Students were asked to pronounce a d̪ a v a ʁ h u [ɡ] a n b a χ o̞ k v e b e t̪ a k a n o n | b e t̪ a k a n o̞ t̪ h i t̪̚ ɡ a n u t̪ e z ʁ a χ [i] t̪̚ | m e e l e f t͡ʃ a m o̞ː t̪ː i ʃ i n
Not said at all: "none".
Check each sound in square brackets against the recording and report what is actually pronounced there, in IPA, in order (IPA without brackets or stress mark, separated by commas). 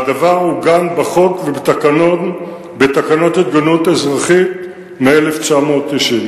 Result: ɡ, i